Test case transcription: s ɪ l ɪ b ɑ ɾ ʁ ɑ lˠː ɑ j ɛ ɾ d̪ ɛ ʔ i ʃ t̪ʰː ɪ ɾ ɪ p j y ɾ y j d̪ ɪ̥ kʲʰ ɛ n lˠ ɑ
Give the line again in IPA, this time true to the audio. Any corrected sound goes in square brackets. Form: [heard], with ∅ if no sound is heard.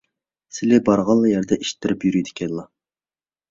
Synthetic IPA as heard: s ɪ l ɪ b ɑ ɾ ʁ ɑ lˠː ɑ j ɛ ɾ d̪ ɛ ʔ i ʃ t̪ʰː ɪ ɾ ɪ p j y ɾ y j d̪ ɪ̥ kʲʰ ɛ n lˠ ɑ